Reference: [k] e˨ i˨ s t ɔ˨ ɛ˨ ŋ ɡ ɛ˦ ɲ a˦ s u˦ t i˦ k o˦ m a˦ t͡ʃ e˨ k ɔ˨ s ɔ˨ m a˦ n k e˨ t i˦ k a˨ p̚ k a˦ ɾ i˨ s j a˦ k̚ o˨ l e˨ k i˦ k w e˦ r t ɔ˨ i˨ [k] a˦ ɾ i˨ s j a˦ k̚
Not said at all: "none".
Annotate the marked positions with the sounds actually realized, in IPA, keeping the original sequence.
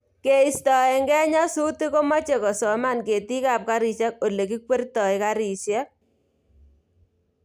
k, k

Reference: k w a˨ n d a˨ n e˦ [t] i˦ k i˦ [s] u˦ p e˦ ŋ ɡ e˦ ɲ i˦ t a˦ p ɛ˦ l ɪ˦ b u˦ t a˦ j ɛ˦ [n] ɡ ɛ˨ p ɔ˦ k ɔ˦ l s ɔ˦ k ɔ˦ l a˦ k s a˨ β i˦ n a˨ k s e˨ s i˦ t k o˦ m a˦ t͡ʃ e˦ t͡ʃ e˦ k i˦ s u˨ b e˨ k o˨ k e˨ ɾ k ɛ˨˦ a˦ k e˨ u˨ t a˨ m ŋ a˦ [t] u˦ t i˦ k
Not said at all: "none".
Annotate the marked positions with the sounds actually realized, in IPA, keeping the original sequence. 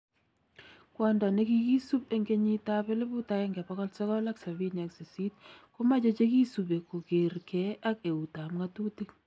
k, s, ŋ, t

